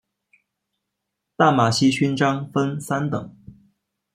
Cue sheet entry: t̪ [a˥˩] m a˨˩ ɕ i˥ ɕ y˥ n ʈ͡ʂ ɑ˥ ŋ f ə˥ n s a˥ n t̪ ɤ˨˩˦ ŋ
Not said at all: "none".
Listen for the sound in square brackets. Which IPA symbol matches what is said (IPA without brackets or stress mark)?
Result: a˥˩